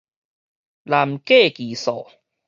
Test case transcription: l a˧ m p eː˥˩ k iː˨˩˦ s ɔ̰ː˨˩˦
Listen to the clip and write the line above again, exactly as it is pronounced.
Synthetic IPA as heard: l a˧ m k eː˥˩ k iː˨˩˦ s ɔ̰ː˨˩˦